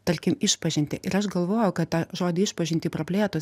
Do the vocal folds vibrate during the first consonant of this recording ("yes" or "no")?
no